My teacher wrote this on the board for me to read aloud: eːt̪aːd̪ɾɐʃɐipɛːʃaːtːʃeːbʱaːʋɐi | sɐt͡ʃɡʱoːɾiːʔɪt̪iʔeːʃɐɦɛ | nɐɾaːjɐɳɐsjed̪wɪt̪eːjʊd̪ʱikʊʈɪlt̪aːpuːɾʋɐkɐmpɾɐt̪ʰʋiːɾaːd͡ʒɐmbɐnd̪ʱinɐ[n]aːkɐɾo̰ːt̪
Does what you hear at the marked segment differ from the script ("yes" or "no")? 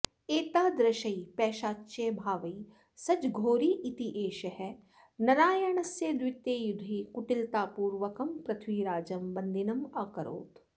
yes